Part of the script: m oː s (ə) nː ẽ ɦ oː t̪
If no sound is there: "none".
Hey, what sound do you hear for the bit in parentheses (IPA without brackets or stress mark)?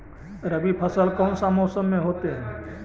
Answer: ə